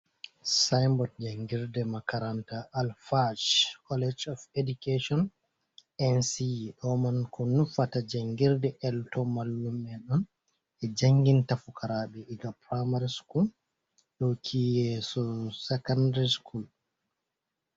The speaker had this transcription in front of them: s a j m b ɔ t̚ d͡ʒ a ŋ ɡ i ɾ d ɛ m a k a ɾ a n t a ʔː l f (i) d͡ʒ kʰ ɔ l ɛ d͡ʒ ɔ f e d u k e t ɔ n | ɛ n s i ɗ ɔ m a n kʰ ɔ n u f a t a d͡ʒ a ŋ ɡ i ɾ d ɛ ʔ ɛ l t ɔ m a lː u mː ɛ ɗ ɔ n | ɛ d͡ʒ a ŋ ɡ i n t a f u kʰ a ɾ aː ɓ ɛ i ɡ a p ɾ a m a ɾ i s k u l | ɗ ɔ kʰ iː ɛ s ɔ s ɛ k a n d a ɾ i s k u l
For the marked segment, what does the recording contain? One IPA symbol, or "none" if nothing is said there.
a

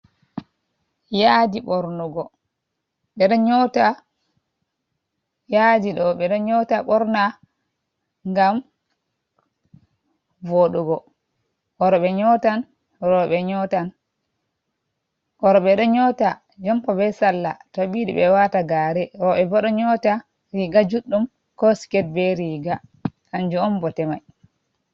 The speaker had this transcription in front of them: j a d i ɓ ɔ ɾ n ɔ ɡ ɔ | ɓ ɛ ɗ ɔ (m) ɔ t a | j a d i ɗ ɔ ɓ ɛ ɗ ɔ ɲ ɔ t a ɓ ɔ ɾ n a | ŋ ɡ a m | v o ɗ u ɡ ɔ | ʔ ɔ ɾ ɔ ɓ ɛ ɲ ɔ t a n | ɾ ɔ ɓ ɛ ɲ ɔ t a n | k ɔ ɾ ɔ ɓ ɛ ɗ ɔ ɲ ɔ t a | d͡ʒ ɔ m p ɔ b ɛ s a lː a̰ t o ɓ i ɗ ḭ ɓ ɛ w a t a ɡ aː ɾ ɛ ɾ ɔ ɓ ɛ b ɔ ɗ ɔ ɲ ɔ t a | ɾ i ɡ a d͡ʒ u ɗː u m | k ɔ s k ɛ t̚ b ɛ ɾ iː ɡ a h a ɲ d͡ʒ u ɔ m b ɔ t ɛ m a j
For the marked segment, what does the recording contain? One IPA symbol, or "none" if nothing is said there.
ɲ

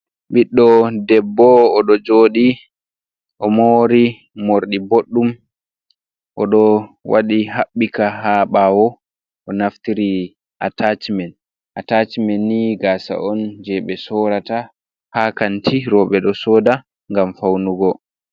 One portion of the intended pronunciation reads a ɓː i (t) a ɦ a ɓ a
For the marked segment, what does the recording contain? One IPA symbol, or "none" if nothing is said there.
k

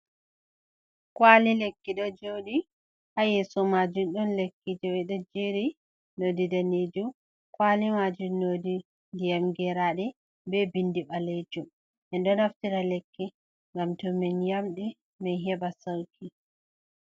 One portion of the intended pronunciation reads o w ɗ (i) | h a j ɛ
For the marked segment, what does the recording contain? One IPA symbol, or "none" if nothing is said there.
i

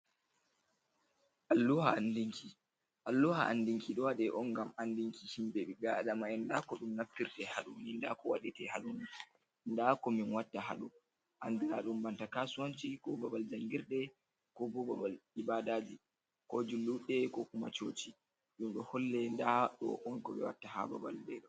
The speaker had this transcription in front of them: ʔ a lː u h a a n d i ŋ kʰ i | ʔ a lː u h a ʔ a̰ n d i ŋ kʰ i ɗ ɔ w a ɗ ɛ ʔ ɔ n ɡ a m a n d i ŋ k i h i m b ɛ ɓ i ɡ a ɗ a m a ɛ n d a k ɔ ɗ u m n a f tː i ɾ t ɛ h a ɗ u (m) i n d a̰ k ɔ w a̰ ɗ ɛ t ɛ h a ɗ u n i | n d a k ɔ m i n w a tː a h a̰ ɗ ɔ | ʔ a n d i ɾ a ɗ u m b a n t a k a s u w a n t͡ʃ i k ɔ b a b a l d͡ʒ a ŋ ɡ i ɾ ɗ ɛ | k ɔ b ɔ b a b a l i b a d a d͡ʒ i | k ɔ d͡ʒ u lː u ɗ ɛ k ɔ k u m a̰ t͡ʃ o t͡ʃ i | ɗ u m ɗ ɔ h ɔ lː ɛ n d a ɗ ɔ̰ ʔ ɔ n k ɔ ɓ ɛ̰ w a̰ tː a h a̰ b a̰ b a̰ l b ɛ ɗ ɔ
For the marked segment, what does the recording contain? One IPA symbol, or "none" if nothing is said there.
n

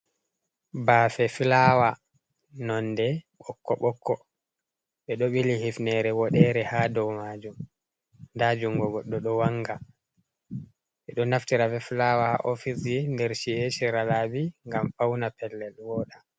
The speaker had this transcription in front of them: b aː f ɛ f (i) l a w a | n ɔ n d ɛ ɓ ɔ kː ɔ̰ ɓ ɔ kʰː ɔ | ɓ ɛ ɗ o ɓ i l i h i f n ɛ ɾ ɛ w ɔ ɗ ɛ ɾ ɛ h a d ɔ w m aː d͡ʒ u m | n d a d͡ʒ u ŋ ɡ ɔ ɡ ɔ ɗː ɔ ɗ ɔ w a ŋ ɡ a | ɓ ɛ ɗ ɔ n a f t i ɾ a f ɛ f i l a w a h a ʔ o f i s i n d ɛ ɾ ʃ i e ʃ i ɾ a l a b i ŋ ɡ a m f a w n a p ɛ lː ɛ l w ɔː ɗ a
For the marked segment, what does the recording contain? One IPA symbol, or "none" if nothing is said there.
i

